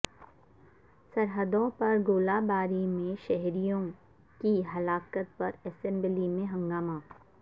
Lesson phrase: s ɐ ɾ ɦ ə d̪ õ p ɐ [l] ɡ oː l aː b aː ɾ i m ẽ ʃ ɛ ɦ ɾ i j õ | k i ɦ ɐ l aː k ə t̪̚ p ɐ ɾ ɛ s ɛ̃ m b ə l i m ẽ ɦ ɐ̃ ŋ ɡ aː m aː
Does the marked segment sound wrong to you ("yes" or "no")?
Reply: yes